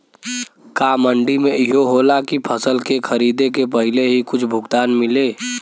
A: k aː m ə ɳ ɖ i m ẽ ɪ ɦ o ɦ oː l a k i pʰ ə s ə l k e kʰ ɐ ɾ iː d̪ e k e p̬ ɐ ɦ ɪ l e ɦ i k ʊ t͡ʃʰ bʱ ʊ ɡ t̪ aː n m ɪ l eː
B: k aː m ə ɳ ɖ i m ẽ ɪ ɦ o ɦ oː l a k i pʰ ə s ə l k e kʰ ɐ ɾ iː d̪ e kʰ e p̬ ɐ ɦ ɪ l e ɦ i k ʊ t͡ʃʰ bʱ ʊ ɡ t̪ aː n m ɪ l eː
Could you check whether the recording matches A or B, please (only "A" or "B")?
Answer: A